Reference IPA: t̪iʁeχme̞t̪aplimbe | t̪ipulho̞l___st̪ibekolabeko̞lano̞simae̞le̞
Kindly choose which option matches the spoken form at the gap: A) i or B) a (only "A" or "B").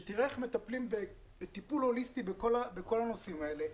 A